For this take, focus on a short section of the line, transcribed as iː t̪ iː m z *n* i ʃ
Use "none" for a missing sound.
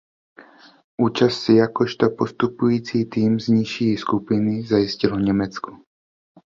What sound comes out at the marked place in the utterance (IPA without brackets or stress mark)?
ɲ